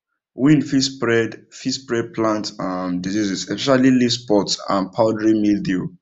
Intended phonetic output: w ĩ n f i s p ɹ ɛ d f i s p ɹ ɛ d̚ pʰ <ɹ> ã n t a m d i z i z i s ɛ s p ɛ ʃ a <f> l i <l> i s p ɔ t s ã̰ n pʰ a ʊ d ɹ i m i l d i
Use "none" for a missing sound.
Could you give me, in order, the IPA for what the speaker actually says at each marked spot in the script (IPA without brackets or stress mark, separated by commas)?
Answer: l, none, l